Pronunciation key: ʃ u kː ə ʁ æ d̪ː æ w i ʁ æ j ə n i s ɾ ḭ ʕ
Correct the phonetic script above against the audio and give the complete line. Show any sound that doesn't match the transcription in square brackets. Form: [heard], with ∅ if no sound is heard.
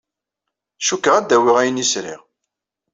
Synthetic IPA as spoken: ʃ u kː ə ʁ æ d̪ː æ w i ʁ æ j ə n i s ɾ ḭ [ʁ]

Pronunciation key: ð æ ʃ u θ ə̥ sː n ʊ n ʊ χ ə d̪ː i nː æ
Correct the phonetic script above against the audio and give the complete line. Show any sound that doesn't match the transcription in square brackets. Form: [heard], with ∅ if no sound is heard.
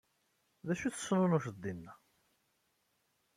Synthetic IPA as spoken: ð æ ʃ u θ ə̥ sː n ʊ n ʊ [ʃ] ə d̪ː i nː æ

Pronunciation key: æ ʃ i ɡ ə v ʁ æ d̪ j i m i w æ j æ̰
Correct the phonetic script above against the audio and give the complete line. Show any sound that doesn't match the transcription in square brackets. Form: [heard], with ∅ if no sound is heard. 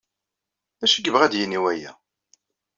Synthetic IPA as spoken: æ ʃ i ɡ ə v ʁ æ d̪ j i [n] i w æ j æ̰

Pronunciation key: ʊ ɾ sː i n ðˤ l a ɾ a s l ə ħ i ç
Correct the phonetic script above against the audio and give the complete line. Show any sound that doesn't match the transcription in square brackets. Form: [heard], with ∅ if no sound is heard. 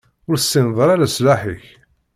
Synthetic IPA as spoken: ʊ ɾ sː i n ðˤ [ɾ] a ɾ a s l [a] ħ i ç

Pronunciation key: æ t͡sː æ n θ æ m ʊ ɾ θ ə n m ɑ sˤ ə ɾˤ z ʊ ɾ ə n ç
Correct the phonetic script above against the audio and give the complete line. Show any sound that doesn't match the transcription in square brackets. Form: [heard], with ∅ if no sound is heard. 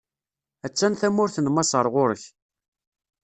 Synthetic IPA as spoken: æ t͡sː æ n θ æ m ʊ ɾ θ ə n m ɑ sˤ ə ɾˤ [ʁ] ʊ ɾ ə [∅] ç

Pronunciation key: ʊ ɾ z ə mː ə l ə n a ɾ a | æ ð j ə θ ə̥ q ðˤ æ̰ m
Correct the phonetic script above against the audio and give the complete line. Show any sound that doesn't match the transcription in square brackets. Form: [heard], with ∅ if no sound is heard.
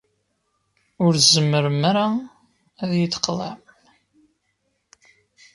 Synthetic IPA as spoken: ʊ ɾ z ə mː ə [ɾ] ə [m] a ɾ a | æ ð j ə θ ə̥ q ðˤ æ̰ m

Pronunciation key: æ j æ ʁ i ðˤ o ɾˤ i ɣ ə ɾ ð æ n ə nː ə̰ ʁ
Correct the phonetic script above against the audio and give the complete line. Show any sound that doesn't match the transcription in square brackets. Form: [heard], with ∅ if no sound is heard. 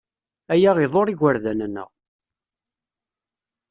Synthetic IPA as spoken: æ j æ ʁ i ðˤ o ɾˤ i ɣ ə ɾ ð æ n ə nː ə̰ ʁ

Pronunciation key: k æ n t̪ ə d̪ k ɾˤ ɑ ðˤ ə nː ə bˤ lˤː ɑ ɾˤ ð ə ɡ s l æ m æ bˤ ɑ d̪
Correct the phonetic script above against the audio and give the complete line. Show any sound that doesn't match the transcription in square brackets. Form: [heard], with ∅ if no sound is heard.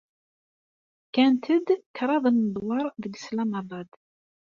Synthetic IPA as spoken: k æ n t̪ ə d̪ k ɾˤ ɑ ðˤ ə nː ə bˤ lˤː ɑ ɾˤ ð ə ɡ s l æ m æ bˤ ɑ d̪

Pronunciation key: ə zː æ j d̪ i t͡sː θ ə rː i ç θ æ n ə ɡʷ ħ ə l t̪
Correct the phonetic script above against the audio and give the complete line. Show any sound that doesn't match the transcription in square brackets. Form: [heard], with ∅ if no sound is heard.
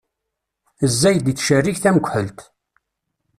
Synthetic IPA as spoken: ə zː æ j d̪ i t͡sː [ʃ] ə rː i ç θ æ [m] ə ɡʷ ħ ə l t̪

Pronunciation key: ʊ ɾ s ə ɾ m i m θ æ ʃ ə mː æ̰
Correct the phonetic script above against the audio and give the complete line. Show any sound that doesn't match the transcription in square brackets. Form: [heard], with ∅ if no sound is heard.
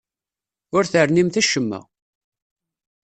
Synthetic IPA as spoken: ʊ ɾ [θ] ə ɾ [n] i m θ æ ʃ ə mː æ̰

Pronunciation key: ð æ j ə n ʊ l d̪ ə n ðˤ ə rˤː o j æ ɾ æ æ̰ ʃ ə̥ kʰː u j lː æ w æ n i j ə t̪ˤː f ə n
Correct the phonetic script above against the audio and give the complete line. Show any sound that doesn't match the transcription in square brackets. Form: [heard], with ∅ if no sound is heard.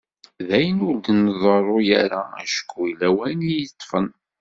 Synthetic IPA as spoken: ð æ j ə n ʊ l d̪ ə n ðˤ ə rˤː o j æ ɾ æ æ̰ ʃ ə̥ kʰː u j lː æ w æ n i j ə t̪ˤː f ə n

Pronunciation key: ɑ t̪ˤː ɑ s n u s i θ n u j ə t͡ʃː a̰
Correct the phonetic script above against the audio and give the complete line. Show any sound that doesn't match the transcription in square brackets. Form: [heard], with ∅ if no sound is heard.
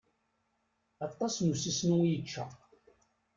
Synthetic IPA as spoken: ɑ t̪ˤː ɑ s n u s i [s] n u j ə t͡ʃː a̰

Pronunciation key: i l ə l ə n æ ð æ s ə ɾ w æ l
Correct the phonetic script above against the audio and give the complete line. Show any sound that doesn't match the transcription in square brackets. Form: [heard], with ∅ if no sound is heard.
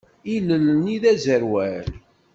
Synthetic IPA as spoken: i l ə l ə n [i] ð æ [z] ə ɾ w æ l

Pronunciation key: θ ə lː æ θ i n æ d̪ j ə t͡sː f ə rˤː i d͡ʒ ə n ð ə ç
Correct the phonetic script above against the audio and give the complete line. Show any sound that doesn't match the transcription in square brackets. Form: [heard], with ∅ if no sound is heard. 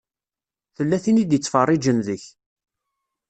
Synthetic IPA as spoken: θ ə lː æ θ i n [i] d̪ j ə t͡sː f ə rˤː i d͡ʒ ə n ð ə ç

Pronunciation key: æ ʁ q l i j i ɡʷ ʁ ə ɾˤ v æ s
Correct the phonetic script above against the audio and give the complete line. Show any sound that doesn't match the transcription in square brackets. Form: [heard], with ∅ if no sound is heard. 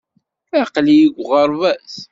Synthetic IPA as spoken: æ [∅] q l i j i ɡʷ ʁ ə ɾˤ v æ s

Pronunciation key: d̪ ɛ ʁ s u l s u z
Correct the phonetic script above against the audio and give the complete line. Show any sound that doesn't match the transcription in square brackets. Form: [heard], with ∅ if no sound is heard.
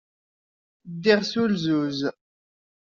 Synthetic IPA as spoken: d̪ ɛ ʁ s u l [z] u z

